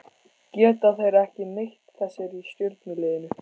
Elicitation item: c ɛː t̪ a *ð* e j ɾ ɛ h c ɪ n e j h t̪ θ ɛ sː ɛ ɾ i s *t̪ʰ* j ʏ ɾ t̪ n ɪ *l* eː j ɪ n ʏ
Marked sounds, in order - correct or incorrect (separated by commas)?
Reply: incorrect, incorrect, correct